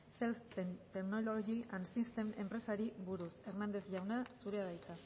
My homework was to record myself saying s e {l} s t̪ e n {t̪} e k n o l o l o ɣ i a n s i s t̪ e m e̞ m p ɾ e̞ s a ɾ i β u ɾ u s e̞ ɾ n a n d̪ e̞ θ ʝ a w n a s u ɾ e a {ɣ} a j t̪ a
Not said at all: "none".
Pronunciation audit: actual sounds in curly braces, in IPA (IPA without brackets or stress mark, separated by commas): l, t̪, ð